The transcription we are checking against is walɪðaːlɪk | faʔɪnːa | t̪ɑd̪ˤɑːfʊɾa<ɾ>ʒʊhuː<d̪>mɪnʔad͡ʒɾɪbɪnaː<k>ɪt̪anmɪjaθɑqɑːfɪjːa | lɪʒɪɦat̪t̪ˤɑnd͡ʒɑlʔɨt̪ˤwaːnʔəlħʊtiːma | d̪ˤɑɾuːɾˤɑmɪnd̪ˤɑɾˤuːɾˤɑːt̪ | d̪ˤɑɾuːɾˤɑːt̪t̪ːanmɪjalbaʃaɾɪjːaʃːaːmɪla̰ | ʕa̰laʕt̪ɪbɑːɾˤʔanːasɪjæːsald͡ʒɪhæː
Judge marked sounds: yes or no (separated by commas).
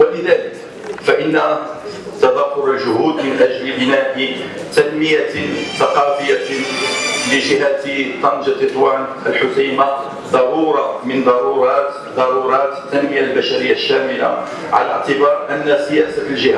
no, yes, no